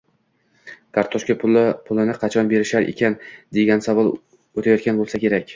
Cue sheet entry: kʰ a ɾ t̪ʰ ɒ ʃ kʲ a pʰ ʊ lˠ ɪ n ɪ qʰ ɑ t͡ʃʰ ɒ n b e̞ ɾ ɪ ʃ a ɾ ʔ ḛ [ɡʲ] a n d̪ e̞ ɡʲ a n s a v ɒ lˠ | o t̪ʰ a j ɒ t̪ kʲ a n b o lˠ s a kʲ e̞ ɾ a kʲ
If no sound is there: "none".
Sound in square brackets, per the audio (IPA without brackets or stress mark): kʲ